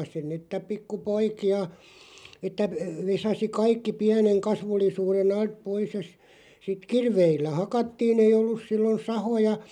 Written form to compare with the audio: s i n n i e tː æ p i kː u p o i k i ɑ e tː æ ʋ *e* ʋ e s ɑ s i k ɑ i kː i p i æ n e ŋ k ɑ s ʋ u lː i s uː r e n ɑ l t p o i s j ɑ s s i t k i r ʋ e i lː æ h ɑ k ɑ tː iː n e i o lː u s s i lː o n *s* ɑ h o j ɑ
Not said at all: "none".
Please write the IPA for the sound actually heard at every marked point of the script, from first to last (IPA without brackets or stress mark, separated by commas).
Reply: e, s